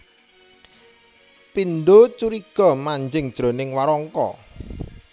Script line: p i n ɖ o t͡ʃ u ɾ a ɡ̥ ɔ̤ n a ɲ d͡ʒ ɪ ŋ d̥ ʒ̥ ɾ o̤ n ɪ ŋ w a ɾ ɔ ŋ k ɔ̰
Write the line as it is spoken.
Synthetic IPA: p i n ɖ o t͡ʃ u ɾ i ɡ̥ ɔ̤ m a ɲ d͡ʒ ɪ ŋ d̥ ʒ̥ ɾ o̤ n ɪ ŋ w a ɾ ɔ ŋ k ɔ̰

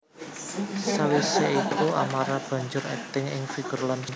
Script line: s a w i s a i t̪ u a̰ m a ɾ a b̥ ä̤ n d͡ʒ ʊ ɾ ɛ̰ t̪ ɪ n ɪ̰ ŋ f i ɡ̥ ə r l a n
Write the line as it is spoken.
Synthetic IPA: s a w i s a i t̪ u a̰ m a ɾ a b̥ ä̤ ɲ d͡ʒ ʊ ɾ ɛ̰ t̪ ɪ ŋ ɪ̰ ŋ f i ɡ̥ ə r l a n

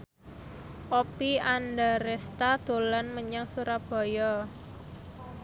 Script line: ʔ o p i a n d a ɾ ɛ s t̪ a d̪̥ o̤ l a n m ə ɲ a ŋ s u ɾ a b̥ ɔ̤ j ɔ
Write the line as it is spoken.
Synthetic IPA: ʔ o p i a n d a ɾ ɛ s t̪ a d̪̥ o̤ l a n m ə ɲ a ŋ s u ɾ a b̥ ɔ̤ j ɔ

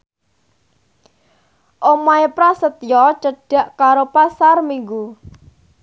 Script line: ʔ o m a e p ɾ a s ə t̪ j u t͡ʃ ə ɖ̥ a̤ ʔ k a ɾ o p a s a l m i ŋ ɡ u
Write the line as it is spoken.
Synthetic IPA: ʔ o m a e p ɾ a s ə t̪ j ɔ t͡ʃ ə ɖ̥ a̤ ʔ k a ɾ o p a s a r m i ŋ ɡ u

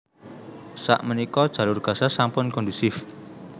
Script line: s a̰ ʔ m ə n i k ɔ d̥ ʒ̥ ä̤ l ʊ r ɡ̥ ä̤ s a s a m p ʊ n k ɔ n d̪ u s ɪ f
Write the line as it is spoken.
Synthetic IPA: s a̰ ʔ m ə n i k ɔ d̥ ʒ̥ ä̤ l ʊ r ɡ̥ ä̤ s a s a m p ʊ n k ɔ n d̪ u s ɪ f

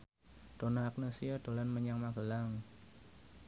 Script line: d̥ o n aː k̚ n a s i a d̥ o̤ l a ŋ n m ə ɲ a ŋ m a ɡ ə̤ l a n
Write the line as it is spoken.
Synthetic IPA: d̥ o n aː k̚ n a s i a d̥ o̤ l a n m ə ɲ a ŋ m a ɡ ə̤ l a ŋ

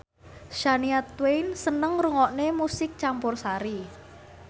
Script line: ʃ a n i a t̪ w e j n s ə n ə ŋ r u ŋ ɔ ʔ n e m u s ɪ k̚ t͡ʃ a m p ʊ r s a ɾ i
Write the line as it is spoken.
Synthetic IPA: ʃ a n i a t̪ w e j n s ə n ə ŋ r u ŋ ɔ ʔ n e m u s ɪ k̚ t͡ʃ a m p ʊ r s a ɾ i

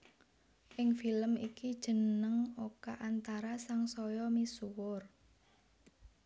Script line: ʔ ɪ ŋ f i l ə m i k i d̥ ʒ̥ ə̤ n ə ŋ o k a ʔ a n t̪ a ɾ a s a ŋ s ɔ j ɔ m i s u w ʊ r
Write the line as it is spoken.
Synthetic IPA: ʔ ɪ ŋ f i l ə m i k i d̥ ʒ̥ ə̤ n ə ŋ o k a ʔ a n t̪ a ɾ a s a ŋ s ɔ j ɔ m i s u w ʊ r

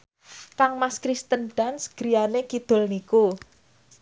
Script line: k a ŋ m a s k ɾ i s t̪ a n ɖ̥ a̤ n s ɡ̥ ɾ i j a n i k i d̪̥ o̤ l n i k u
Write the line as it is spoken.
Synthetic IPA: k a ŋ m a s k ɾ i s t̪ ə n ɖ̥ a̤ n s ɡ̥ ɾ i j a n e k i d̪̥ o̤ l n i k u

